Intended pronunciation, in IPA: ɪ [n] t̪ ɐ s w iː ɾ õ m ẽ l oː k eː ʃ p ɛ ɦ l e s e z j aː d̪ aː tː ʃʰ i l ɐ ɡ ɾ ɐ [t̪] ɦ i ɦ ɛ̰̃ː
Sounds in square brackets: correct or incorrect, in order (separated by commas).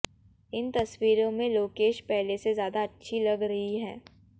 correct, incorrect